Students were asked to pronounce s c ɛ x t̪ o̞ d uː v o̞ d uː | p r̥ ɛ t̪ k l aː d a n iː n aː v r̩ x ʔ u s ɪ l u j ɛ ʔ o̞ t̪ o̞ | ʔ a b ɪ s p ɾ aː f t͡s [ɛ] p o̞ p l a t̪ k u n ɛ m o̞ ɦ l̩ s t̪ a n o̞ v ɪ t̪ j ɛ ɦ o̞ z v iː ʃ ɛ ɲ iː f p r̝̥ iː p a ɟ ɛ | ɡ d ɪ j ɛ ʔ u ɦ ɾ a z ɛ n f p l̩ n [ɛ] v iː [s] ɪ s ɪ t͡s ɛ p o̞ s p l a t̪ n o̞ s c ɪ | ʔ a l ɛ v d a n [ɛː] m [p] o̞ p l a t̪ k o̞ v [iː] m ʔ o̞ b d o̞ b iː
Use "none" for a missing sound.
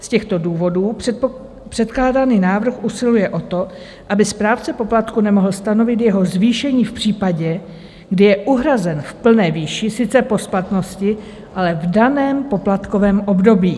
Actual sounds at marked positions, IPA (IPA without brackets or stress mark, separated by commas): ɛ, ɛː, ʃ, ɛː, p, ɛː